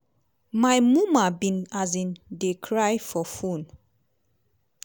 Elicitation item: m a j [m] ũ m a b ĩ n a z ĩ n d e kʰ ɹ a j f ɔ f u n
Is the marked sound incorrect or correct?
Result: correct